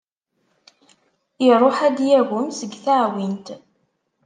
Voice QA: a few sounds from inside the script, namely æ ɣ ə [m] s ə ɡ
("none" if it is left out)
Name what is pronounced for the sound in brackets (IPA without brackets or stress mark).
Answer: m